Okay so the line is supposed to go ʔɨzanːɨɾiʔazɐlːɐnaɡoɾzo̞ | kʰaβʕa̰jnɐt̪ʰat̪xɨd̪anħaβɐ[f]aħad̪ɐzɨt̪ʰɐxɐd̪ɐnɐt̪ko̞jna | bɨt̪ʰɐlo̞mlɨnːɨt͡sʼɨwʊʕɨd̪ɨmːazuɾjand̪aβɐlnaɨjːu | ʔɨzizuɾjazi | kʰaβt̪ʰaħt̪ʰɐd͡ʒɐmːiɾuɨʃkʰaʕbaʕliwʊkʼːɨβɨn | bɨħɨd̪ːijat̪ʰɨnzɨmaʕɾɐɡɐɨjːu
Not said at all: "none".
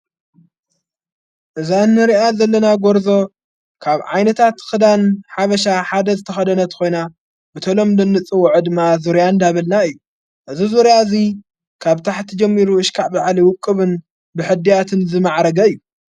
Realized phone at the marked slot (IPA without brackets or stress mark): ʃ